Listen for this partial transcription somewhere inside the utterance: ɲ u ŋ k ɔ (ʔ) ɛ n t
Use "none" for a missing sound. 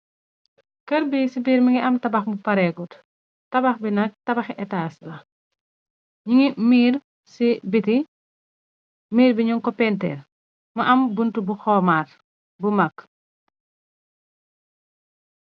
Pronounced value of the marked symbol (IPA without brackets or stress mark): p